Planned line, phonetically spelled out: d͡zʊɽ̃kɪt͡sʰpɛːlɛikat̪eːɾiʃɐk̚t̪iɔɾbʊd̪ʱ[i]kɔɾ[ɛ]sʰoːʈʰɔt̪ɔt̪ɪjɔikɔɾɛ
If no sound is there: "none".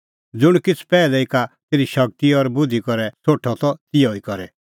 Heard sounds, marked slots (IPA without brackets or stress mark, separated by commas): i, ɛ